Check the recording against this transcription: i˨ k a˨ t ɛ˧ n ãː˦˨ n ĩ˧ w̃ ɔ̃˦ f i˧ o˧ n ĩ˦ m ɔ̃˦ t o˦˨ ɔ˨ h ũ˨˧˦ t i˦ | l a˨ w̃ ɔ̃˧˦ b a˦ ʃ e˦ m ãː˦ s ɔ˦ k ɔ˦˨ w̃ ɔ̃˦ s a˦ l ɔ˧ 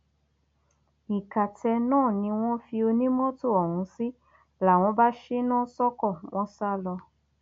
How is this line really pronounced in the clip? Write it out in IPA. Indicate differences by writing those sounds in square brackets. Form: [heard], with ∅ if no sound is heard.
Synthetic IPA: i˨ k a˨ t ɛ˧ n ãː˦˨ n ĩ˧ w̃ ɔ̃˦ f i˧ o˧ n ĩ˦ m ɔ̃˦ t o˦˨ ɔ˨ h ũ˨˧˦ [s] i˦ | l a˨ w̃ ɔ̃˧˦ b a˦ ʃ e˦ [n] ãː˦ s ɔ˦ k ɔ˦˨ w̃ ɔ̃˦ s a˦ l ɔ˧